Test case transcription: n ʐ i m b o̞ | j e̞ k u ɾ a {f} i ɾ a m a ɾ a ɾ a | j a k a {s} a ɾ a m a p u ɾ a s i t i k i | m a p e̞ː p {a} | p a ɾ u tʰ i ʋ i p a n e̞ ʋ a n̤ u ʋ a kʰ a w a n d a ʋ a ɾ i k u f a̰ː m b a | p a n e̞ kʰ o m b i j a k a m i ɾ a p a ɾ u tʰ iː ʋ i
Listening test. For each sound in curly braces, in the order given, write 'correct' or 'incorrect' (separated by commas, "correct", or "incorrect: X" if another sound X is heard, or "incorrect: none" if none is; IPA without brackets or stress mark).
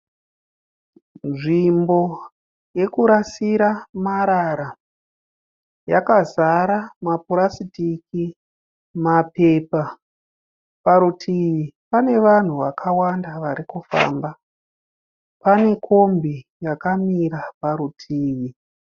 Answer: incorrect: s, incorrect: z, correct